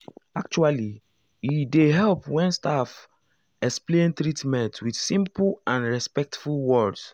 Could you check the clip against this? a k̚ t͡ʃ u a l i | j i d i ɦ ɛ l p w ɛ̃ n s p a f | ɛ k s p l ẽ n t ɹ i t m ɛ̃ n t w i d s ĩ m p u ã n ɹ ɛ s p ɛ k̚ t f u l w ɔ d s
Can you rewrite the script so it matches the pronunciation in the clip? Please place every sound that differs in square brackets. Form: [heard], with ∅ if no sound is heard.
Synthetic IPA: a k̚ t͡ʃ u a l i | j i d [e] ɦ ɛ l p w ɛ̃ n s [t] a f | ɛ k s p l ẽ n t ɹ i t m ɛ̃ n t w i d s ĩ m p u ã n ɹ ɛ s p ɛ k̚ t f u l w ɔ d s

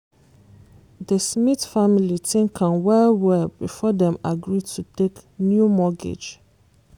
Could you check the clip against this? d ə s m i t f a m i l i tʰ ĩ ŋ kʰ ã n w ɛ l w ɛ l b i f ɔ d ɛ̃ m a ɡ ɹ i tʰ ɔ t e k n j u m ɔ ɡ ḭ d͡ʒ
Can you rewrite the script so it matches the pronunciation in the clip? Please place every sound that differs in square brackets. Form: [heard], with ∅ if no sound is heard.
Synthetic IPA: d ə s m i t f a m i l i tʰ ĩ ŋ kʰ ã n w ɛ l w ɛ l b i f ɔ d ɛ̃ m a ɡ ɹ i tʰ [u] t e k n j u m ɔ ɡ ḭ d͡ʒ

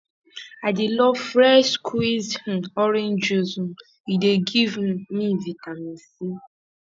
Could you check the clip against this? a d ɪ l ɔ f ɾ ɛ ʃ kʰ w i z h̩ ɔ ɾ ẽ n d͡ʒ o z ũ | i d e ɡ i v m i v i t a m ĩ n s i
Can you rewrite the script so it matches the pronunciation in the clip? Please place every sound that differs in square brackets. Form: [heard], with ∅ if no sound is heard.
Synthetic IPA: a d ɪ l ɔ f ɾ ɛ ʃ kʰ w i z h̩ ɔ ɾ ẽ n d͡ʒ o z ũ | i d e ɡ i v m i v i t a m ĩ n s i

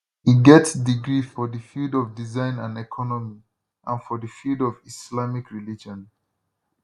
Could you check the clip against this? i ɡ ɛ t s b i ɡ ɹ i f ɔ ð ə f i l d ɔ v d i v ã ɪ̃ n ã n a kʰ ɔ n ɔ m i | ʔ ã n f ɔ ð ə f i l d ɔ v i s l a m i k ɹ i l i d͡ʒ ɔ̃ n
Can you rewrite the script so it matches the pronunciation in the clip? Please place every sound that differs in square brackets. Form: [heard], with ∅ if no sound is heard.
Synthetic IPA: i ɡ ɛ t s [d] i ɡ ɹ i f ɔ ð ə f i l d ɔ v d i [z] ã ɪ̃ n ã n [ɛ] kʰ ɔ n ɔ m i | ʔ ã n f ɔ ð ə f i l d ɔ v i s l a m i k ɹ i l i d͡ʒ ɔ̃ n

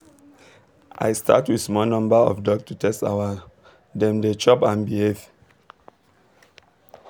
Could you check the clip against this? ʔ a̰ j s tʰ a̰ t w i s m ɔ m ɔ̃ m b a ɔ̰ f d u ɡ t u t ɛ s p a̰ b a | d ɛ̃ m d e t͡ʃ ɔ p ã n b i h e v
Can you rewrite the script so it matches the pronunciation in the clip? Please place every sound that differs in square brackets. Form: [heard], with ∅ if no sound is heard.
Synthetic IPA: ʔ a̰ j s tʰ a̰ t w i s m ɔ [n] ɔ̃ m b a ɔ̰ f d [ɔ] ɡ t u t ɛ s [t] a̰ [w] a | d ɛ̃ m d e t͡ʃ ɔ p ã n b i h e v

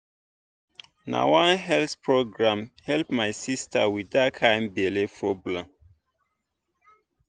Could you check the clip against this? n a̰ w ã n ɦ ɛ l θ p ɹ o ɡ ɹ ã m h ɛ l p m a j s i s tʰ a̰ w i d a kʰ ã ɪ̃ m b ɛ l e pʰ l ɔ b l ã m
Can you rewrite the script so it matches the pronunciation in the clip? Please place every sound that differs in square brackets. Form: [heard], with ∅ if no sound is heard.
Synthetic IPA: n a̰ w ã n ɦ ɛ l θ p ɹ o ɡ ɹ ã m h ɛ l p m a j s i s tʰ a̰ w i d a kʰ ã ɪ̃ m b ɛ l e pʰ [ɹ] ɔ b l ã m

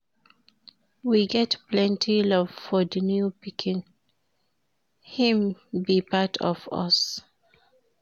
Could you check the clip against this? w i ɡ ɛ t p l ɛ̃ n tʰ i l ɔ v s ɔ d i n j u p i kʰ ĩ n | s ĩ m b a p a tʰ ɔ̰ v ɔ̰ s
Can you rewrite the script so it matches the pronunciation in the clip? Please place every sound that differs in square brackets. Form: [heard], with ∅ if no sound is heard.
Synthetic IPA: w i ɡ ɛ t p l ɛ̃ n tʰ i l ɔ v [f] ɔ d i n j u p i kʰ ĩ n | [h] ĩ m b [i] p a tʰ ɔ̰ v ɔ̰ s

